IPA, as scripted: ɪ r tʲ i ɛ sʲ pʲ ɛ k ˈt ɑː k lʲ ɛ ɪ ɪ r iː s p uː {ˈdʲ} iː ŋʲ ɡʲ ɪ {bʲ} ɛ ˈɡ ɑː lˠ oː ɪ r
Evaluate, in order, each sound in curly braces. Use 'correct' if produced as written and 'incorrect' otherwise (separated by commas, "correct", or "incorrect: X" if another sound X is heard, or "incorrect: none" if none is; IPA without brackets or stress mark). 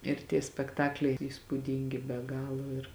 correct, correct